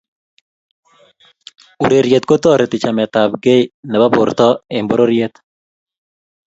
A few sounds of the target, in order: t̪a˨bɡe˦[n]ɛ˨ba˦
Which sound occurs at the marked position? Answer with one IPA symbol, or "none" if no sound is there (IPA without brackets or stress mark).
n